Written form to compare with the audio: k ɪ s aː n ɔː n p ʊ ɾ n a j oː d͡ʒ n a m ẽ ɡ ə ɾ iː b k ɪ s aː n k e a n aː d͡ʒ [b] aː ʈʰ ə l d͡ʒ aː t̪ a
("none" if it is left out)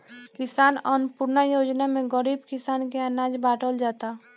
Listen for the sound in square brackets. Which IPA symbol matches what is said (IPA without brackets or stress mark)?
b